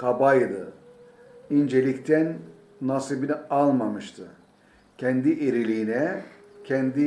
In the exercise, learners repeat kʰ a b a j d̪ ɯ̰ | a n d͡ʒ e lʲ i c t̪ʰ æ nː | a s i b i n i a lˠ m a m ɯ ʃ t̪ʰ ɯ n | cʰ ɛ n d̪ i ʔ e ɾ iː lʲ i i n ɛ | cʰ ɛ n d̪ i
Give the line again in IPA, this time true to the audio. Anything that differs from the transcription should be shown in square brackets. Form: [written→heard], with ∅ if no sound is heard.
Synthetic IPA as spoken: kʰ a b a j d̪ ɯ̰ | [a→i] n d͡ʒ e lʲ i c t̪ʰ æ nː | a s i b i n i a lˠ m a m ɯ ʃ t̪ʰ ɯ [n→∅] | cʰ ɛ n d̪ i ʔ e ɾ [iː→i] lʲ i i n ɛ | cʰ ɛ n d̪ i